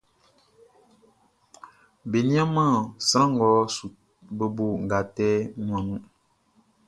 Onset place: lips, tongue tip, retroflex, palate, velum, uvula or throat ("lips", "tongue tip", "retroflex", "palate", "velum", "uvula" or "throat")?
lips